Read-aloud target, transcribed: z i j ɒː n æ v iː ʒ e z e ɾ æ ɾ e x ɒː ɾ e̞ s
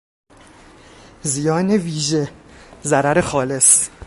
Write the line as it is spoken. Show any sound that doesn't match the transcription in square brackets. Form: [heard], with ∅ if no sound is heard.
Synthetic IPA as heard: z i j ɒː n [e] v iː ʒ e z [æ] ɾ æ ɾ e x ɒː [l] e̞ s